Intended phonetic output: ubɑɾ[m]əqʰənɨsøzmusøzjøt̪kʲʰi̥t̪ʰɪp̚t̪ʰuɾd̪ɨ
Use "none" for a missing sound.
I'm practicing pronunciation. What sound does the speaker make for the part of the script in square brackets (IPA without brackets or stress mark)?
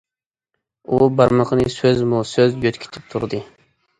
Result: m